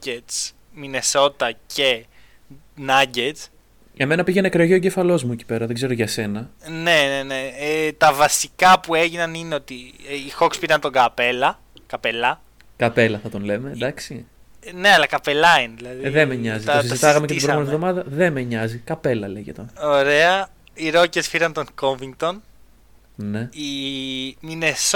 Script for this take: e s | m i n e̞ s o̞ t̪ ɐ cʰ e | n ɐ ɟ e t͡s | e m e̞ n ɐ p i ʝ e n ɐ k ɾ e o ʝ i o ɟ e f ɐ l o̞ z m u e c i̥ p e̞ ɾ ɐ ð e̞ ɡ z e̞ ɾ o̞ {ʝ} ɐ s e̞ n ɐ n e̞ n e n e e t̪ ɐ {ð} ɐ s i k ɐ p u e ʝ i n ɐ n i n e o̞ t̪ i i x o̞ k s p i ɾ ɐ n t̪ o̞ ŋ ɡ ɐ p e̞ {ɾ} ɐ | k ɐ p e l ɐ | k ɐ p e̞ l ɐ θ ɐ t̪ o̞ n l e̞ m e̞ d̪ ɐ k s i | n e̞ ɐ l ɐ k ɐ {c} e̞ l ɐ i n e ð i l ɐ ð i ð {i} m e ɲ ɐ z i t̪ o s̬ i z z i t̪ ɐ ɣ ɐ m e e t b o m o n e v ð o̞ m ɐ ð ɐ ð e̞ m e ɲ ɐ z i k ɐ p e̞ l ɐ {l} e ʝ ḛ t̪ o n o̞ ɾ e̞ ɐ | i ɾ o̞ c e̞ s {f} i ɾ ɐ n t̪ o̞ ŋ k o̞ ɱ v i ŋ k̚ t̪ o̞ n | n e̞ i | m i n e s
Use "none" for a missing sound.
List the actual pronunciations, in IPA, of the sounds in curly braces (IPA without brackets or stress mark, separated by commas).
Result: ʝ, v, l, p, e, l, f